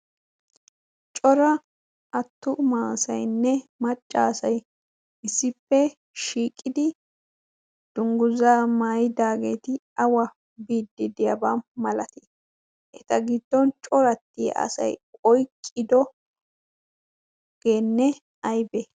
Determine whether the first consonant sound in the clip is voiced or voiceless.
voiceless